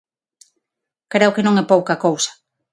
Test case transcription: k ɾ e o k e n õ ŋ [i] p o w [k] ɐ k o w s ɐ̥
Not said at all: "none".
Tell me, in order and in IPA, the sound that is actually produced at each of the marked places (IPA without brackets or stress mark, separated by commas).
ɛ, k